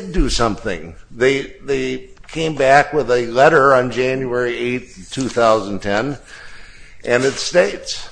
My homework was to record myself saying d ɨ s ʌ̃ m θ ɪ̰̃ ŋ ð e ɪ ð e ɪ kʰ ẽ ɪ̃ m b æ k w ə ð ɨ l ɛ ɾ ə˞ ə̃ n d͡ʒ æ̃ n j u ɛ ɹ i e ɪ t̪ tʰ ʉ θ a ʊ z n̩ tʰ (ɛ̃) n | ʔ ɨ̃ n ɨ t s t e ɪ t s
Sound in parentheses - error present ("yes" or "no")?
no